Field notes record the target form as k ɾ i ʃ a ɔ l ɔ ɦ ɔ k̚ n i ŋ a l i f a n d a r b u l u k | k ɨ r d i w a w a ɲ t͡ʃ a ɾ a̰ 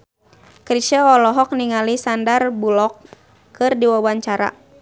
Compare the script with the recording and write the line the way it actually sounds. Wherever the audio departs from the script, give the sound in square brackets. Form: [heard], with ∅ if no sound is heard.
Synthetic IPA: k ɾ i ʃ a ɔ l ɔ ɦ ɔ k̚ n i ŋ a l i [s] a n d a r b u l [ɔ] k | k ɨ r d i w a w a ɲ t͡ʃ a ɾ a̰